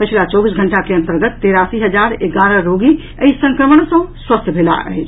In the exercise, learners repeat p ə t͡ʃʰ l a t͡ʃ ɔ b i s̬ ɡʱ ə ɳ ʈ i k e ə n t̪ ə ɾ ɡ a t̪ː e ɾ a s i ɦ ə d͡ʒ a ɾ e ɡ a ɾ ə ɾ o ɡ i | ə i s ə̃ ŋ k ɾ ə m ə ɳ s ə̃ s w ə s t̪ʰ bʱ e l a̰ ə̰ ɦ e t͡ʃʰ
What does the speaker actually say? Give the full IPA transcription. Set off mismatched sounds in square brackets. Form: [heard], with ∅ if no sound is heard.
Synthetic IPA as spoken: p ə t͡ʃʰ l a t͡ʃ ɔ b i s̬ ɡʱ ə ɳ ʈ [a] k e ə n t̪ ə ɾ ɡ [ə] t̪ː e ɾ a s i ɦ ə d͡ʒ a ɾ e ɡ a ɾ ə ɾ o ɡ i | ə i s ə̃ ŋ k ɾ ə m ə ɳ s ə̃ s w ə s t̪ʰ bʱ e l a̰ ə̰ ɦ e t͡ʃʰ